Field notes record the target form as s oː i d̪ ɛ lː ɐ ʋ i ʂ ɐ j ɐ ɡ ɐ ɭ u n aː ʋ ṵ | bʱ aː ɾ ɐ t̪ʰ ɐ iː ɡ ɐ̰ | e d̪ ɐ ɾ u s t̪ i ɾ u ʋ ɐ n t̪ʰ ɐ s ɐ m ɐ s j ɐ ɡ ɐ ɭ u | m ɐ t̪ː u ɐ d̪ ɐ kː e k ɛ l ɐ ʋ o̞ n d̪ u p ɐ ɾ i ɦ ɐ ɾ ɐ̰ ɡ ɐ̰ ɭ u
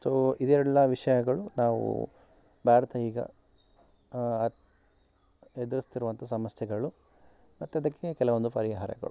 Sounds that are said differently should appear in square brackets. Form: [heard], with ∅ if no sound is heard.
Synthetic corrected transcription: s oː i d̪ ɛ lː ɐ ʋ i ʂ ɐ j ɐ ɡ ɐ ɭ u n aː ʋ ṵ | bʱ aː ɾ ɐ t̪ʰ ɐ iː ɡ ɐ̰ | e d̪ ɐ ɾ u s t̪ i ɾ u ʋ ɐ n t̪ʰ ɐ s ɐ m ɐ s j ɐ ɡ ɐ ɭ u | m ɐ t̪ː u ɐ d̪ ɐ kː e k ɛ l ɐ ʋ o̞ n d̪ u p ɐ ɾ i ɦ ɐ ɾ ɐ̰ ɡ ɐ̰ ɭ u